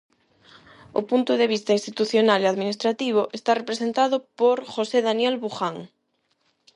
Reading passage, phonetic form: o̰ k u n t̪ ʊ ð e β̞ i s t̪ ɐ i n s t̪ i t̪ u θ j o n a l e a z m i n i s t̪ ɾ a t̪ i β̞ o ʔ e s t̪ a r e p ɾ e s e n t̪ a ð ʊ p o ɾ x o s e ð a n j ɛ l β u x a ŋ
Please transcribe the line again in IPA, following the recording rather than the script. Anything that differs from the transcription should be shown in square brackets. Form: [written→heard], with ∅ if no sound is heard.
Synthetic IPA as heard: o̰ [k→p] u n t̪ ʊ ð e β̞ i s t̪ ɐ i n s t̪ i t̪ u θ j o n a l e a [z→ð] m i n i s t̪ ɾ a t̪ i β̞ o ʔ e s t̪ a r e p ɾ e s e n t̪ a ð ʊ p o ɾ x o s e ð a n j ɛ l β u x a ŋ